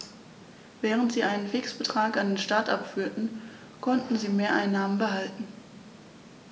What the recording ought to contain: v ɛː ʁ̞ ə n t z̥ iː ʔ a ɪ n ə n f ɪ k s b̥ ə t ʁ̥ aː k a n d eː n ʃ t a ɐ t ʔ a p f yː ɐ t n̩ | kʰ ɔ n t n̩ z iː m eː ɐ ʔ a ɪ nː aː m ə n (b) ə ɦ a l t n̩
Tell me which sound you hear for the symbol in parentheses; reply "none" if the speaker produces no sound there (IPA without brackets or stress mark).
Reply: b